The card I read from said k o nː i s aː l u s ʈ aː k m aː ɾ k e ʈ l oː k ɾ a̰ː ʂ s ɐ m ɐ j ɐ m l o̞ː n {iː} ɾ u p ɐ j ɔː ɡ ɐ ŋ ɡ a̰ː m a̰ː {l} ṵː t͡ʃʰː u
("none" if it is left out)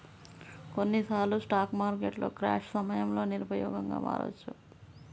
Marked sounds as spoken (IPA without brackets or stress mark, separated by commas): i, ɾ